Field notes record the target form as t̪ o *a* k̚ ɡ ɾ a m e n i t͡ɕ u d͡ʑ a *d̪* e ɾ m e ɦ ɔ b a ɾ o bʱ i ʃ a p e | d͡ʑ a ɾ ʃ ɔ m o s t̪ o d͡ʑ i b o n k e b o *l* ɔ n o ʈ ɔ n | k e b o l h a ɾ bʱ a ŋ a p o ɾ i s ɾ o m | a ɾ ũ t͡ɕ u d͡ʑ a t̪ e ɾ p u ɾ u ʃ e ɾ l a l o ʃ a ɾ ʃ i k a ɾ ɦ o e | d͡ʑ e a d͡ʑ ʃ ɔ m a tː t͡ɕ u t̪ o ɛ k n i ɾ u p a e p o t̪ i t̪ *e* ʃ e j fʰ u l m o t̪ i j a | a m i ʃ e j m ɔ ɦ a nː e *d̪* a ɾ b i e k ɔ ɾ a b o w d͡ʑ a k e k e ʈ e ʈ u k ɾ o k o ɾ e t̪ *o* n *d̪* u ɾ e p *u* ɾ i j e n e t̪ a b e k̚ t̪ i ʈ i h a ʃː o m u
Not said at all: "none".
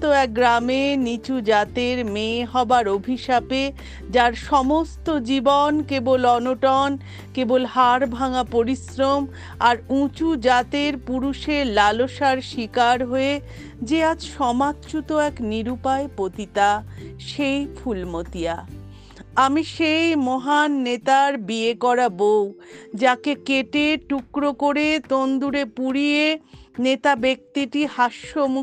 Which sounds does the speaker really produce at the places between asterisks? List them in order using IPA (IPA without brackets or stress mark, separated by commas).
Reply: ɛ, t̪, l, a, t̪, o, d̪, u